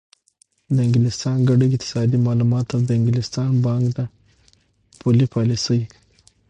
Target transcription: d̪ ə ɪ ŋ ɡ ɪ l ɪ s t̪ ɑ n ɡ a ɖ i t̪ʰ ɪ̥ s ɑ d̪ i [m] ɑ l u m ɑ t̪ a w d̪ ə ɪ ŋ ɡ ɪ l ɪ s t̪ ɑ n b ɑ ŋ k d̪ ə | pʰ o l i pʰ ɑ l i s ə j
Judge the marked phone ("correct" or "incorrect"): correct